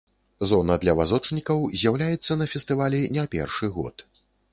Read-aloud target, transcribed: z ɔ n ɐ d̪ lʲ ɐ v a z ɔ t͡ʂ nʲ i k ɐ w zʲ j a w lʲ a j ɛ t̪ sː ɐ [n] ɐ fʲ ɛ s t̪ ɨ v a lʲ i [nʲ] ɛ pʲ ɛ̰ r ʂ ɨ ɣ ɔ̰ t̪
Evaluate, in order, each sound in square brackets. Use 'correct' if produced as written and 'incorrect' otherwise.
correct, correct

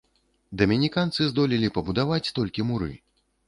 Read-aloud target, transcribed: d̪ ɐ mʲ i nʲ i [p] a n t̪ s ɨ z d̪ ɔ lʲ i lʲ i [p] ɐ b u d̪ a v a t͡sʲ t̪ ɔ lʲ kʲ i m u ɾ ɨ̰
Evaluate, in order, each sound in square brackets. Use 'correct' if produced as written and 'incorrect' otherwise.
incorrect: k, correct

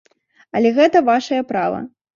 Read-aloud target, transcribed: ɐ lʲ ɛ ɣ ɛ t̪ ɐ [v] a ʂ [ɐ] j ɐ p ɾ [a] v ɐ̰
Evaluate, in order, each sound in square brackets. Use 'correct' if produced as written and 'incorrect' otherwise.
correct, correct, correct

